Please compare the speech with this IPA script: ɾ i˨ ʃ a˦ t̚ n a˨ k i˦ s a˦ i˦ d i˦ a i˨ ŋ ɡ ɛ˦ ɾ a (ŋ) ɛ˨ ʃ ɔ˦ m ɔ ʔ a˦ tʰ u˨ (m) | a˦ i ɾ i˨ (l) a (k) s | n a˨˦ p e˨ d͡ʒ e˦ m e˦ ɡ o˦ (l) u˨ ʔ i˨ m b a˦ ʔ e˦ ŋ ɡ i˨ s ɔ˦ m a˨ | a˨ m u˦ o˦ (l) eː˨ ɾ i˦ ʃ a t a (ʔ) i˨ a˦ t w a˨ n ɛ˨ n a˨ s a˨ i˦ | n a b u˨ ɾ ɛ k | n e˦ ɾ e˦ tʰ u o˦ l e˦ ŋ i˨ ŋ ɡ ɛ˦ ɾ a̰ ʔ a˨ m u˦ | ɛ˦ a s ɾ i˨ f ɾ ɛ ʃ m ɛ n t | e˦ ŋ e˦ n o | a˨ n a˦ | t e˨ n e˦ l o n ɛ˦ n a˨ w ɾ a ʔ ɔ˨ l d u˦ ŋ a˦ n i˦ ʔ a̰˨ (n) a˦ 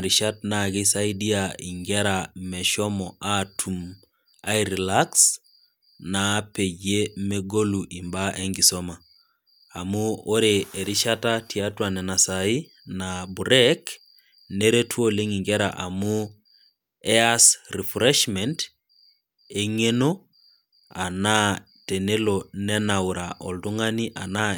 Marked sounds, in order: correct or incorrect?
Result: incorrect: m, correct, correct, correct, correct, incorrect: ɾ, incorrect: t, correct

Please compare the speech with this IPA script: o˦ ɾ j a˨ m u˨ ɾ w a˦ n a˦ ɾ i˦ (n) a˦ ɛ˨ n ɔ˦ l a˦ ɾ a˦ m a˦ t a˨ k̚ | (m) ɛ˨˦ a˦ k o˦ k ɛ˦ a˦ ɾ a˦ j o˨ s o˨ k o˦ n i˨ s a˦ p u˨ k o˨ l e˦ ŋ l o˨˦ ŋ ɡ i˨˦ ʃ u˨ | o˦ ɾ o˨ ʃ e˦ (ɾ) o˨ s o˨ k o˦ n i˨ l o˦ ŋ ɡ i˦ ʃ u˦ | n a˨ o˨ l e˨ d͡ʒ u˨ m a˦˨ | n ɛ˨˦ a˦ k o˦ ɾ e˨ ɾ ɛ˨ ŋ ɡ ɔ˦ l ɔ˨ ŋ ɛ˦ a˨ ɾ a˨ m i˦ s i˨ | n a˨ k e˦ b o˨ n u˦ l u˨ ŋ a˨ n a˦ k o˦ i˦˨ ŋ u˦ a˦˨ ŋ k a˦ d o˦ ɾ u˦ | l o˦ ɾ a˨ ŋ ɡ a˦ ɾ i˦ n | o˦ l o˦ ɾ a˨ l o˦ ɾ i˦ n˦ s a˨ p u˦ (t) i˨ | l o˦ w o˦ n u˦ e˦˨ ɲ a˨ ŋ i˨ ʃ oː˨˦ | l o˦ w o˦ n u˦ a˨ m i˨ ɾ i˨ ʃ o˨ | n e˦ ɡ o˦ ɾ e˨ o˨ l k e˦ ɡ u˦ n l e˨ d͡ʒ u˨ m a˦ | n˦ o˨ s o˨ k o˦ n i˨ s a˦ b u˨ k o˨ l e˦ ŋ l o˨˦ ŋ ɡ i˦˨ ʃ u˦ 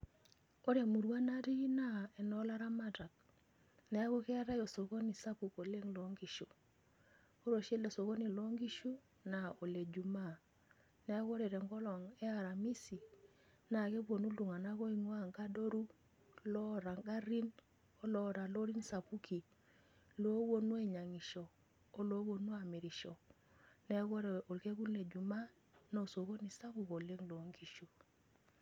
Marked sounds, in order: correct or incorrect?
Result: correct, incorrect: n, incorrect: l, incorrect: k

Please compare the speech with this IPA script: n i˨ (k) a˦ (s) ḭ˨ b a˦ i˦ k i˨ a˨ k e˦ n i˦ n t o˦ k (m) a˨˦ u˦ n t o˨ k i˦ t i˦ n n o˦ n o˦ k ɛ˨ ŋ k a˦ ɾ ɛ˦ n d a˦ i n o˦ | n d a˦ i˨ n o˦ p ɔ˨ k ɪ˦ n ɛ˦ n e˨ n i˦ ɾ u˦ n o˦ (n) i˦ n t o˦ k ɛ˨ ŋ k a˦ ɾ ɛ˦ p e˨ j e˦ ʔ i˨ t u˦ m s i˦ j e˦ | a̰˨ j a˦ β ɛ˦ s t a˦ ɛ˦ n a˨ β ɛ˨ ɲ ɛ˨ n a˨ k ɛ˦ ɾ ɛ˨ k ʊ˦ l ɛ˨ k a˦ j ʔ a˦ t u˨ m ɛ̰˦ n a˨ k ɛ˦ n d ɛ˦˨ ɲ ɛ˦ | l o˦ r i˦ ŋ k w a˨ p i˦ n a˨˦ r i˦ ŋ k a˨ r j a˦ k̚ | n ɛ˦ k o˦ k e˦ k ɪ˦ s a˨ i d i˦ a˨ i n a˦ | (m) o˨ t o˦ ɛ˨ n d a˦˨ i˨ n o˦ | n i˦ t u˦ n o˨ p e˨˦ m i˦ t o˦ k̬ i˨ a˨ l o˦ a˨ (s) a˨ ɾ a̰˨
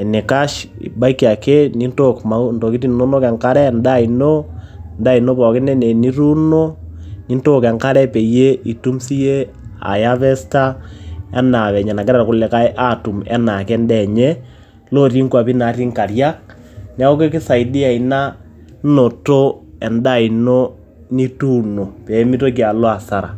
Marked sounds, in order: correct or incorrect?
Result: correct, incorrect: ʃ, correct, correct, incorrect: n, correct

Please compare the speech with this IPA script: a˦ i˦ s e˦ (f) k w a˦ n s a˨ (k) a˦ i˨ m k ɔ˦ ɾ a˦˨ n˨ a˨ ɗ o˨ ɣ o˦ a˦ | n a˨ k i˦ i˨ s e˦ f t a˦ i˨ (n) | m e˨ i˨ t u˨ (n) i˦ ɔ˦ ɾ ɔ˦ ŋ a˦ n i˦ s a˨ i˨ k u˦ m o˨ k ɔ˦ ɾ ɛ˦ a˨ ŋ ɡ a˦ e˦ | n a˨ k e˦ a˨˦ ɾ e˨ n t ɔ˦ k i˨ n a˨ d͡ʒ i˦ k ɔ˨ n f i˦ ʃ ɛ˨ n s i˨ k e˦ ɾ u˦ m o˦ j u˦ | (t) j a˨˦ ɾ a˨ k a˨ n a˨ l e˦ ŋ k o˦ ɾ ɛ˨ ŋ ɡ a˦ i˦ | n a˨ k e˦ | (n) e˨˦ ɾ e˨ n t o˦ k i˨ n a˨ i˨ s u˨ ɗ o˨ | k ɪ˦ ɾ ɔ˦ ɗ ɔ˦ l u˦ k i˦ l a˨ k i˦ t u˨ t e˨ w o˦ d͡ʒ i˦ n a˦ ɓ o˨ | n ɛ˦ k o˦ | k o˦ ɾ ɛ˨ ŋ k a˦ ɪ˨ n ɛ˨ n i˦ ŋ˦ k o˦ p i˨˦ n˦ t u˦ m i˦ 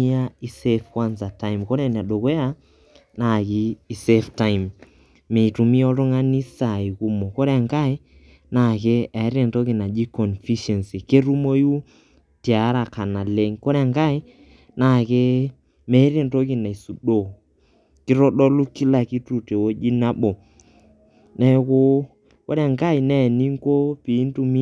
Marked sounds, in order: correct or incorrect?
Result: correct, incorrect: t, incorrect: m, incorrect: m, correct, incorrect: m

